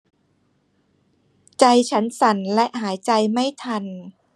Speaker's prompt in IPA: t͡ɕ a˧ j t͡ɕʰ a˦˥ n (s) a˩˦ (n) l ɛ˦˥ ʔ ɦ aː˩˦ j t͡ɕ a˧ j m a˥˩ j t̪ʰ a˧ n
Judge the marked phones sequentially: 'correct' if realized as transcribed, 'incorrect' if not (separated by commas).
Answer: correct, correct